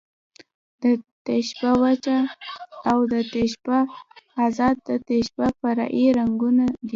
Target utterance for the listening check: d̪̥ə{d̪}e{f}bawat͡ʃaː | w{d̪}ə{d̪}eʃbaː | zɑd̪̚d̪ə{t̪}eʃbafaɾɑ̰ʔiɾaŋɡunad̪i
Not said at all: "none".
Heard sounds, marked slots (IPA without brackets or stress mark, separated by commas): t̪, ʃ, d̪, t̪, t̪